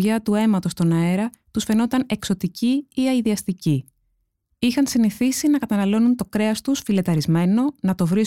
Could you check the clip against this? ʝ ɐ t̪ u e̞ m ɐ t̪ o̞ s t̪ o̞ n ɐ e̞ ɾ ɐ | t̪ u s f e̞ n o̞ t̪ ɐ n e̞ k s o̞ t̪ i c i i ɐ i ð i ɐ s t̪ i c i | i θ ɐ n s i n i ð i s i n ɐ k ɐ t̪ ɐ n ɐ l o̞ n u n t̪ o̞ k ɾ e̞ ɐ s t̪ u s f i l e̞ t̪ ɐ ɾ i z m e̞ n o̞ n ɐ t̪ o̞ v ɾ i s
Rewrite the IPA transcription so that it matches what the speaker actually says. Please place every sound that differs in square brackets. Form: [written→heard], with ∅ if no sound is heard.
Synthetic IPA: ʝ ɐ t̪ u e̞ m ɐ t̪ o̞ s t̪ o̞ n ɐ e̞ ɾ ɐ | t̪ u s f e̞ n o̞ t̪ ɐ n e̞ k s o̞ t̪ i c i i ɐ i ð i ɐ s t̪ i c i | i [θ→x] ɐ n s i n i [ð→θ] i s i n ɐ k ɐ t̪ ɐ n ɐ l o̞ n u n t̪ o̞ k ɾ e̞ ɐ s t̪ u s f i l e̞ t̪ ɐ ɾ i z m e̞ n o̞ n ɐ t̪ o̞ v ɾ i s